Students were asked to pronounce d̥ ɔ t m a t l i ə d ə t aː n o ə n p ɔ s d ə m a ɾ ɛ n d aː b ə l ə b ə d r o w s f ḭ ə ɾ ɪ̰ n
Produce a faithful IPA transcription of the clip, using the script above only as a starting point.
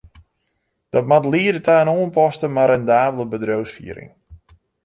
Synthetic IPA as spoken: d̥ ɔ t m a t l i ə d ə t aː n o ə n p ɔ s t ə m a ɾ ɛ n d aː b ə l ə b ə d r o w s f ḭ ə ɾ ɪ̰ ŋ